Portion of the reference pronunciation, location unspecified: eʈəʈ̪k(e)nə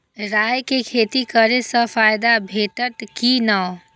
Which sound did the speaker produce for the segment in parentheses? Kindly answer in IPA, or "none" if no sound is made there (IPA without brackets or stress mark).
i